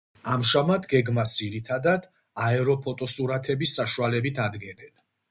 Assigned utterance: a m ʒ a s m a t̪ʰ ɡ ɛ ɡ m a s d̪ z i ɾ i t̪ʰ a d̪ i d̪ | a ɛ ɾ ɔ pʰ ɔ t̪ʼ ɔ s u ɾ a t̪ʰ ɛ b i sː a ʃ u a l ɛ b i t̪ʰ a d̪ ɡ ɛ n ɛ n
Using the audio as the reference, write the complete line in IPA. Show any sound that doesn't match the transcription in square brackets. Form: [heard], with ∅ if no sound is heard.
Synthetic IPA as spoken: a m ʒ a [∅] m a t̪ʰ ɡ ɛ ɡ m a s d̪ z i ɾ i t̪ʰ a d̪ [a] d̪ | a ɛ ɾ ɔ pʰ ɔ t̪ʼ ɔ s u ɾ a t̪ʰ ɛ b i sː a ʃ u a l ɛ b i t̪ʰ a d̪ ɡ ɛ n ɛ n